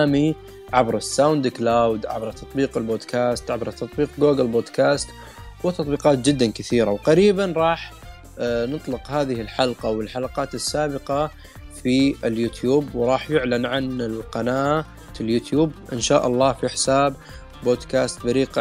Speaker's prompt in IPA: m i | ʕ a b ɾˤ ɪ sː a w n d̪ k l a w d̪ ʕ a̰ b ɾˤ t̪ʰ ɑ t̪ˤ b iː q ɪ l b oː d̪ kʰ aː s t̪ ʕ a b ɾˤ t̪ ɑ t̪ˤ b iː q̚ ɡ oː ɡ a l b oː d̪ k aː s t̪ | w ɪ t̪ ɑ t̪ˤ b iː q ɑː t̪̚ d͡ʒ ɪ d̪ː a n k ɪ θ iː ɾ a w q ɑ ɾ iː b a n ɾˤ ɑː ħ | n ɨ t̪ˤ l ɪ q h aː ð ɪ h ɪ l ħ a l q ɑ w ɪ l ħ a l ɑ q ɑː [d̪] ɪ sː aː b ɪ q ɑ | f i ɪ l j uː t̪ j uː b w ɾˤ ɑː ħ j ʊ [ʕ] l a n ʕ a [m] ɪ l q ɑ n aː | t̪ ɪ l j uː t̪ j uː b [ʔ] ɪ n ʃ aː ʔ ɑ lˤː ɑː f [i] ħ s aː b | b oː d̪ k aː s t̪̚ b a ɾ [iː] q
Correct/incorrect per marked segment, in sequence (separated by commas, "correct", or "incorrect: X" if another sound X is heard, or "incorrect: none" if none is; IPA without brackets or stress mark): incorrect: t̪, correct, incorrect: n, correct, correct, correct